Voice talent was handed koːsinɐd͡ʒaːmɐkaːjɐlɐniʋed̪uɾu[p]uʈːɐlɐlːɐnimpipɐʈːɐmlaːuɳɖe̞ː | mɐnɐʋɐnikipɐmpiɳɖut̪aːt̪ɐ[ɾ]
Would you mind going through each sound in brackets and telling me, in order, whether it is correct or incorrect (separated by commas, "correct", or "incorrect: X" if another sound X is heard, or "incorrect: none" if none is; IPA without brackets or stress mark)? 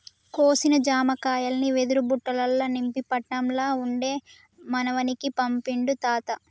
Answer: incorrect: b, incorrect: none